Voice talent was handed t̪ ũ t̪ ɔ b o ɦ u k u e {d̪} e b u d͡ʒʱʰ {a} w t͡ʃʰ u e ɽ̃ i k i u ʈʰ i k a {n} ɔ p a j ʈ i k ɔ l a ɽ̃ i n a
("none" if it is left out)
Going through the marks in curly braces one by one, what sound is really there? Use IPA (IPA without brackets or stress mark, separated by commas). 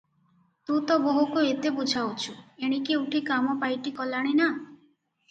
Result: t̪, a, m